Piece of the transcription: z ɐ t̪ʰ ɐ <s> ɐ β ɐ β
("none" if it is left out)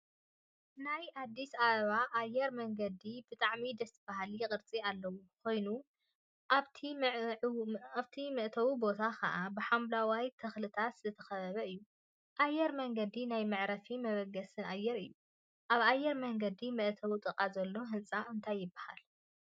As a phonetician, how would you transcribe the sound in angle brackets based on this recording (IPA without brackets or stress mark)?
x